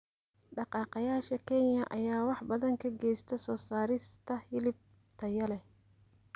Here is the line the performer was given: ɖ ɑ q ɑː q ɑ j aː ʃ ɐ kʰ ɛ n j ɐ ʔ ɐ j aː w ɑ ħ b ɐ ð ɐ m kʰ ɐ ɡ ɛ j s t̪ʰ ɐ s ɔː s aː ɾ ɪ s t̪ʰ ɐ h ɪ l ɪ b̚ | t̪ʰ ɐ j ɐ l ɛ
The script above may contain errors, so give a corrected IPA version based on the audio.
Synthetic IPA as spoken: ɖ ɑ q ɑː q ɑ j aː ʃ ɐ kʰ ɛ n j ɐ ʔ ɐ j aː w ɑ ħ b ɐ ð ɐ ŋ kʰ ɐ ɡ ɛ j s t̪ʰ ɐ s ɔː s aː ɾ ɪ s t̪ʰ ɐ h ɪ l ɪ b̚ | t̪ʰ ɐ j ɐ l ɛ